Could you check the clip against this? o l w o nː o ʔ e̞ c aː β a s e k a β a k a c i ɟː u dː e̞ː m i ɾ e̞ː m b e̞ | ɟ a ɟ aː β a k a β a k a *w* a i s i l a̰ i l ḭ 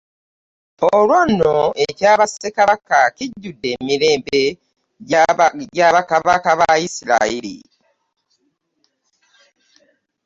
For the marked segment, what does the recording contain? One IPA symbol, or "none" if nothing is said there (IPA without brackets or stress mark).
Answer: β